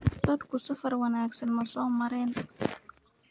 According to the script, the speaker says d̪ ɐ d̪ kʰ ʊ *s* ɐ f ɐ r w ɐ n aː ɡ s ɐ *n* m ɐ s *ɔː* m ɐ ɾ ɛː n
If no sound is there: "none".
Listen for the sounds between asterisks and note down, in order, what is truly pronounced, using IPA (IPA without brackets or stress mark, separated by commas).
s, n, ɔː